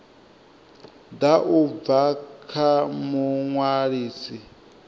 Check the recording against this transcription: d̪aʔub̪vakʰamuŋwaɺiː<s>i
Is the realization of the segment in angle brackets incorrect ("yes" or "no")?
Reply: no